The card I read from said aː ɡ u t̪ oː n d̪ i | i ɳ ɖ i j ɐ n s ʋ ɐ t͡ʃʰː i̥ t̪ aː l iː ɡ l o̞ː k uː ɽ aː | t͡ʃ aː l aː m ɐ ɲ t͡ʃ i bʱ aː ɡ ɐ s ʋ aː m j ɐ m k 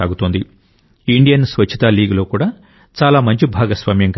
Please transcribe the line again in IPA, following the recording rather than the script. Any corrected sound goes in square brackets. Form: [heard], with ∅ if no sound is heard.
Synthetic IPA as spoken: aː ɡ u t̪ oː n d̪ i | i ɳ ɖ i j ɐ n s ʋ ɐ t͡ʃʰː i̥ t̪ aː l iː ɡ l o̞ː k uː ɽ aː | t͡ʃ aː l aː m ɐ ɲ t͡ʃ i bʱ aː ɡ ɐ s ʋ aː m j ɐ [ŋ] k